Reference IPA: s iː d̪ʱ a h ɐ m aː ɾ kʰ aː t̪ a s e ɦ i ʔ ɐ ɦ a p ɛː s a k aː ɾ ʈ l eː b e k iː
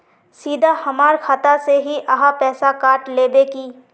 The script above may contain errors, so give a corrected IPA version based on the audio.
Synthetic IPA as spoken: s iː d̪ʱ a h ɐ m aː ɾ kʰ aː t̪ a s e ɦ i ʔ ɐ ɦ a p ɛː s a k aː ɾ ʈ l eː b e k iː

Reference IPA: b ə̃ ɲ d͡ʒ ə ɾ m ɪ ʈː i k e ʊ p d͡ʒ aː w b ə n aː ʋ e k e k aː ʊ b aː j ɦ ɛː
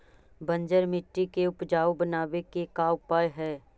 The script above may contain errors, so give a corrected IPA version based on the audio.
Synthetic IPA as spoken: b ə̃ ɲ d͡ʒ ə ɾ m ɪ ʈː i k e ʊ p d͡ʒ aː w b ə n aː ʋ e k e k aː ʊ p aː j ɦ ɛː

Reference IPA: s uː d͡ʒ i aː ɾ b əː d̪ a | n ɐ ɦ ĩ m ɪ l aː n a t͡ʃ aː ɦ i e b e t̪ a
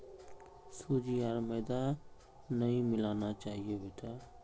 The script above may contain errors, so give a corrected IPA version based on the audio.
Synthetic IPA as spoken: s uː d͡ʒ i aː ɾ m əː d̪ a | n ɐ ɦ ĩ m ɪ l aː n a t͡ʃ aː ɦ i e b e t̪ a

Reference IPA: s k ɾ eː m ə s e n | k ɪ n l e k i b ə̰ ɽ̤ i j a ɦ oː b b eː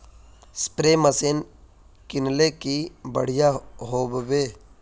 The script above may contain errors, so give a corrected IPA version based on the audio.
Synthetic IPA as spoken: s p ɾ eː m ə s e n | k ɪ n l e k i b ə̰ ɽ̤ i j a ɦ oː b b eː

